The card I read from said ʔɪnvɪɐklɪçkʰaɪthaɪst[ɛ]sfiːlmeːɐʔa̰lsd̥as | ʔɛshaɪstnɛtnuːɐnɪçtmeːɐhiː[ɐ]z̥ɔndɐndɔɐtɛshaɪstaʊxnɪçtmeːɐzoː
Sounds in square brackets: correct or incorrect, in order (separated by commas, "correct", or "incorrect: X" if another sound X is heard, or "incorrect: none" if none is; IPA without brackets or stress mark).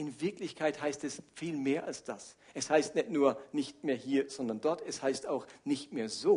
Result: correct, correct